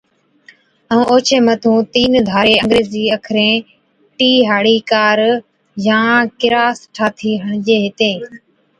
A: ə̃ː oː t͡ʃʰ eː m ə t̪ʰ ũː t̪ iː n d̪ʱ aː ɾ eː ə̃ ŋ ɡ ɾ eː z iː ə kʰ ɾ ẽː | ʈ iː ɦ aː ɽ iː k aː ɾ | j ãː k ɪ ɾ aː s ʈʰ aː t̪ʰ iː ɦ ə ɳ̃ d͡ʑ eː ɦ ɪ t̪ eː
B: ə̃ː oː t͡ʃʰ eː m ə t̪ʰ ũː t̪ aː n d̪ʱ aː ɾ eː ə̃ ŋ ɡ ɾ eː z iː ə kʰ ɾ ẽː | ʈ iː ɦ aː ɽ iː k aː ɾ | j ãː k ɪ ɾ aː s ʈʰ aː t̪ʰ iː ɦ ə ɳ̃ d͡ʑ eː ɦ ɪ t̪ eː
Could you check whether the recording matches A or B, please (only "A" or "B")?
A